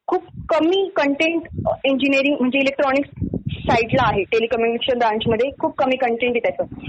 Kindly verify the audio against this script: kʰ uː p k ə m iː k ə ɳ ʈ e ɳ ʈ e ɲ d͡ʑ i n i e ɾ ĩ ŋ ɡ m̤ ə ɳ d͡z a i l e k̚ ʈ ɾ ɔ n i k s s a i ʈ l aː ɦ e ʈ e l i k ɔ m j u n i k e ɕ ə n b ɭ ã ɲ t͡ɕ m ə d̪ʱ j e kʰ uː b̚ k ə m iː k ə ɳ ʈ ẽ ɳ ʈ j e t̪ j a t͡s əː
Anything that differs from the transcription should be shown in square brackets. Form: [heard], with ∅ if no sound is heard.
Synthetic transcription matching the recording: kʰ uː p k ə m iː k ə ɳ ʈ e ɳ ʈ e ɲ d͡ʑ i n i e ɾ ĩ ŋ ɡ m̤ ə ɳ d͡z [e] i l e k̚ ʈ ɾ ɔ n i k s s a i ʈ l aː ɦ e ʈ e l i k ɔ m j u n i k e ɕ ə n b [ɾ] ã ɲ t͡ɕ m ə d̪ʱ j e kʰ uː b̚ k ə m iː k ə ɳ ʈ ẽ ɳ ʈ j e t̪ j a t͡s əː